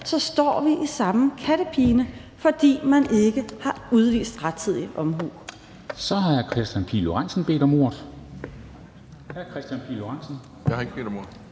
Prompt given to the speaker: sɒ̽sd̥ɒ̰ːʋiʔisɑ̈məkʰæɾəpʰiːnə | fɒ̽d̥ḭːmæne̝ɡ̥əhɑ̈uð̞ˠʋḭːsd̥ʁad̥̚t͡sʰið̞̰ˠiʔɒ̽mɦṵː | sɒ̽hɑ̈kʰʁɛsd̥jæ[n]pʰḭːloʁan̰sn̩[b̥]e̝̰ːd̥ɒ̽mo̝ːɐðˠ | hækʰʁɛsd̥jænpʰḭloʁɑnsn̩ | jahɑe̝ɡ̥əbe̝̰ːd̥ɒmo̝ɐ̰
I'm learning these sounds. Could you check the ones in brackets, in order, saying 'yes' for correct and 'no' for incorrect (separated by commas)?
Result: yes, yes